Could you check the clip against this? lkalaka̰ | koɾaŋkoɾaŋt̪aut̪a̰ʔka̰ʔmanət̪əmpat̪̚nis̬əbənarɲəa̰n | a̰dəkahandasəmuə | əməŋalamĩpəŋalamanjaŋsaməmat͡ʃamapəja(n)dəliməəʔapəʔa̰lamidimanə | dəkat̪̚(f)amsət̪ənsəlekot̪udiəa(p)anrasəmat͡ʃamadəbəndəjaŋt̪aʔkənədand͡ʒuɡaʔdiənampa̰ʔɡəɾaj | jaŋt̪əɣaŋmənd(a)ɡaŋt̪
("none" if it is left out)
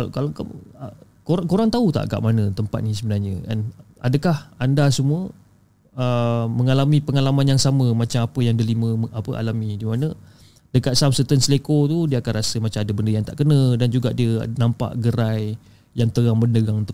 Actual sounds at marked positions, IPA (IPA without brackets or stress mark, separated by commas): ŋ, s, k, ə